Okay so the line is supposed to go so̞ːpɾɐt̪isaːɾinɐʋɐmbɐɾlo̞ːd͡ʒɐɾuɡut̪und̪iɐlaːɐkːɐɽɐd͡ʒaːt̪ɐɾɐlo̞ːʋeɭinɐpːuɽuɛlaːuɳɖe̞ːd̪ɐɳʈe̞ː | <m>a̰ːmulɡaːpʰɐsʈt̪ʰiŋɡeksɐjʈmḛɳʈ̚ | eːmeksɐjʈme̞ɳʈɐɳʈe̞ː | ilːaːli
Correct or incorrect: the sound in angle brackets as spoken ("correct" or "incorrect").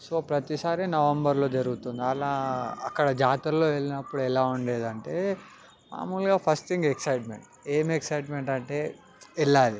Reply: correct